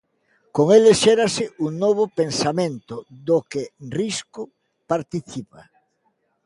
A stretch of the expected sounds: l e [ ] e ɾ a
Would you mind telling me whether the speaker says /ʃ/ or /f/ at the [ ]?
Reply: ʃ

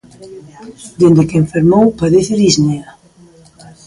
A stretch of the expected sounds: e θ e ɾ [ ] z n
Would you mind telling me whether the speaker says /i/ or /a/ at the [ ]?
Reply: i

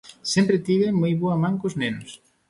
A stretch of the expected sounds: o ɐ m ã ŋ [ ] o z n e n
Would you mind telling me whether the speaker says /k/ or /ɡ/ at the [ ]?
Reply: k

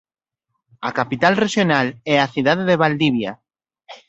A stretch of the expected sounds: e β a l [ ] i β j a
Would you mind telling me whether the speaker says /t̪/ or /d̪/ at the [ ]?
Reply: d̪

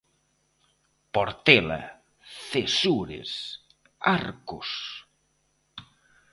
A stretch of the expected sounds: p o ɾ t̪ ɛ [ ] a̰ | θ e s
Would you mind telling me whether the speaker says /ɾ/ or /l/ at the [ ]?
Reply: l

